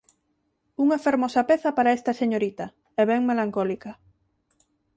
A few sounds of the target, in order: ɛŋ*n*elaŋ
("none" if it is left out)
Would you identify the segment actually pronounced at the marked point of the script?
m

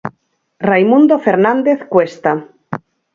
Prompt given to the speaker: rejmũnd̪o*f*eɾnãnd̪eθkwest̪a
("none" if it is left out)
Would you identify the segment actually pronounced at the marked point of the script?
f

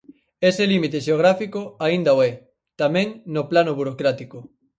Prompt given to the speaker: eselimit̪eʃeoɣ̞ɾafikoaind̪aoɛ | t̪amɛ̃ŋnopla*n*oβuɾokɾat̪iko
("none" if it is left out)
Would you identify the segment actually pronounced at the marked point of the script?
n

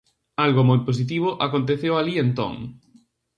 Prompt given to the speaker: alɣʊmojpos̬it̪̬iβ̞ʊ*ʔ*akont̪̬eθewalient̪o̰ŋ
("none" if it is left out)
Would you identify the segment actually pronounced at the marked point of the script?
ʔ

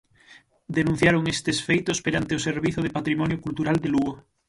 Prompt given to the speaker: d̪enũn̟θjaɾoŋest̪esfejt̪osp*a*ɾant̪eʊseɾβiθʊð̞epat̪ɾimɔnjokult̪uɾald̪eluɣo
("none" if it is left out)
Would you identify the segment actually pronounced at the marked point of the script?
e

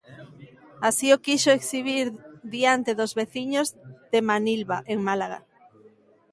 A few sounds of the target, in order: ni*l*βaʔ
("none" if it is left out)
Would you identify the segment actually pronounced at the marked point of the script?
l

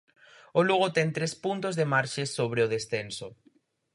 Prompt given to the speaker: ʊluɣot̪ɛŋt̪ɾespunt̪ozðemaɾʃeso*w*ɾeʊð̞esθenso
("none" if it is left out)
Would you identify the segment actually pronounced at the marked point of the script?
β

